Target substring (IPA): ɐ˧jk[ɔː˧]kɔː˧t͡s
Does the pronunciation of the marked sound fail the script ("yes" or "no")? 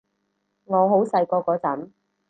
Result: no